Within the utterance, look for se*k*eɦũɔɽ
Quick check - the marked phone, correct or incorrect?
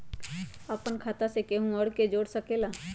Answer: correct